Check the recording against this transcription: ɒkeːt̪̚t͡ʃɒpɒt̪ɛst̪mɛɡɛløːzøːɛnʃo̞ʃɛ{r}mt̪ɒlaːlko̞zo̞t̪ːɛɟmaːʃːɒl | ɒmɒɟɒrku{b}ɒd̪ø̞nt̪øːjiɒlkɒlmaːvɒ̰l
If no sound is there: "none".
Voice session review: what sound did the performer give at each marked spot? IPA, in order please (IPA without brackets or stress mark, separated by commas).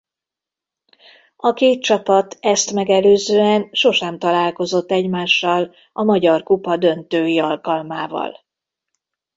none, p